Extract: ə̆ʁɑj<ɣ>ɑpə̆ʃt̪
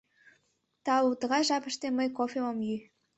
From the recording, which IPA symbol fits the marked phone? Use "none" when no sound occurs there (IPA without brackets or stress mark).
ʒ